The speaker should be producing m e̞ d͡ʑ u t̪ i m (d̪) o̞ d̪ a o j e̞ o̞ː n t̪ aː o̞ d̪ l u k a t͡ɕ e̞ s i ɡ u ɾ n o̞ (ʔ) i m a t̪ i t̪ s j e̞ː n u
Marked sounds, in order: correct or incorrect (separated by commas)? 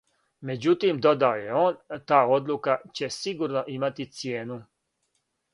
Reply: correct, correct